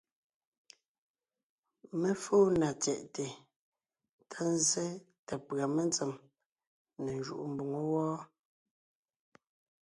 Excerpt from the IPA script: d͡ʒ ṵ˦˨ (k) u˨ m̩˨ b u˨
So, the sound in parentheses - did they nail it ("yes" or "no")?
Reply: no